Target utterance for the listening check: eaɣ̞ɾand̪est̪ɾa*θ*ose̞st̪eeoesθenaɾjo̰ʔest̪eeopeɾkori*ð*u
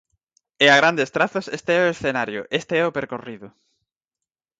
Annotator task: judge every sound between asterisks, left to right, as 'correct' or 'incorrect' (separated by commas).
correct, correct